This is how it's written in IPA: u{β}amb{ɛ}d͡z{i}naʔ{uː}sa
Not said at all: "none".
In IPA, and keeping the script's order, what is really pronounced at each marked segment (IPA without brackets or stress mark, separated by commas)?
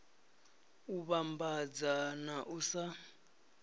β, a, a, u